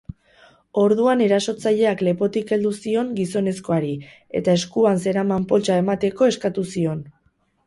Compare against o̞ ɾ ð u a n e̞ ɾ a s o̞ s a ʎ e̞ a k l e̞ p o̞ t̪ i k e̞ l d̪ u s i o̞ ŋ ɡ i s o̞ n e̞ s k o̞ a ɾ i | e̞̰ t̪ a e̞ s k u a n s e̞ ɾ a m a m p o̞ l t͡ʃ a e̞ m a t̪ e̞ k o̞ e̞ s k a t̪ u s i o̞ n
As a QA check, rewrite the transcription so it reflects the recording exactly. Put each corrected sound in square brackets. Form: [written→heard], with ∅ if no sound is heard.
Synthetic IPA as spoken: o̞ ɾ ð u a n e̞ ɾ a s o̞ [s→t͡s] a ʎ e̞ a k l e̞ p o̞ t̪ i k e̞ l d̪ u s i o̞ ŋ ɡ i s o̞ n e̞ s k o̞ a ɾ i | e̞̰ t̪ a e̞ s k u a n s e̞ ɾ a m a m p o̞ l t͡ʃ a e̞ m a t̪ e̞ k o̞ e̞ s k a t̪ u s i o̞ n